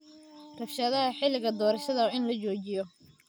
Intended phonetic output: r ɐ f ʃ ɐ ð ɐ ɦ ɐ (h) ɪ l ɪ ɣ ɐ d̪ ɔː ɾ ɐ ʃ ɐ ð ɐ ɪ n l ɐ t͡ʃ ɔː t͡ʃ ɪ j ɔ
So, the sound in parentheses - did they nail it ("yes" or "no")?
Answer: no